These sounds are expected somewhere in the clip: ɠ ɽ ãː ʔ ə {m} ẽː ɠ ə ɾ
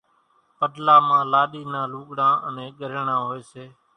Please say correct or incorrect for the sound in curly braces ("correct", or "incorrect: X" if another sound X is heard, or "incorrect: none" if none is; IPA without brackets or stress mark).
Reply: incorrect: n